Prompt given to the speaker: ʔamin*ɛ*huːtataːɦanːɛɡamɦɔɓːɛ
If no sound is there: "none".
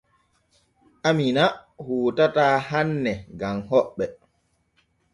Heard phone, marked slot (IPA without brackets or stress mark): a